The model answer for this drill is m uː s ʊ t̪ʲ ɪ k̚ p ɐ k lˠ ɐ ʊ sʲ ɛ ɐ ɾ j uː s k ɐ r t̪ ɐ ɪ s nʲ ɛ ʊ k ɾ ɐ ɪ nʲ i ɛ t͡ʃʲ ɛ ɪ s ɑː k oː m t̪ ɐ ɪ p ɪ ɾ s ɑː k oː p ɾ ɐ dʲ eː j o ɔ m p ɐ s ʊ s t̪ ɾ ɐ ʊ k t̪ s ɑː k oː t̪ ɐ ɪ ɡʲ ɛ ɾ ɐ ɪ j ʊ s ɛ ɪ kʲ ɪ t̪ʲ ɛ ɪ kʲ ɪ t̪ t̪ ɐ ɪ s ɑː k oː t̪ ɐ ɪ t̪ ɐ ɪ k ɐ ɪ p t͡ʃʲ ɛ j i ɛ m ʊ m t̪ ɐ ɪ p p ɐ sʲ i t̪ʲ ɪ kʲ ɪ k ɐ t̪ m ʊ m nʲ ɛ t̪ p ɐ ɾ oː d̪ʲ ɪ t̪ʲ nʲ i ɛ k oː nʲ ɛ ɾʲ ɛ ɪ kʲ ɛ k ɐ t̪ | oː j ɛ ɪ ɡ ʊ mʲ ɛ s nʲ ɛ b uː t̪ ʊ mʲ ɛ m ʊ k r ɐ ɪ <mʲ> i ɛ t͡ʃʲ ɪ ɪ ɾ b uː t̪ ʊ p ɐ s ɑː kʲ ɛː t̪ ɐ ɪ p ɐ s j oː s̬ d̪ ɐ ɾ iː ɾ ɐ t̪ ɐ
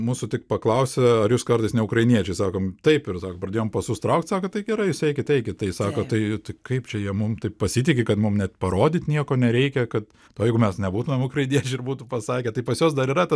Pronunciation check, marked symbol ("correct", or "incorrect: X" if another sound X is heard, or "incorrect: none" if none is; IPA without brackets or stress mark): incorrect: nʲ